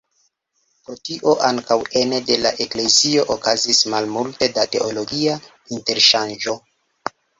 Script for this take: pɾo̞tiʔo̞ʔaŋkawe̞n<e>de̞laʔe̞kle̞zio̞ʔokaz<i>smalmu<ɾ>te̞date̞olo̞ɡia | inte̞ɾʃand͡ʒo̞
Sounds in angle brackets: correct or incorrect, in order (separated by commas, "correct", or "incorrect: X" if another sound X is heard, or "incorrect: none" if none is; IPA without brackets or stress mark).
correct, correct, incorrect: l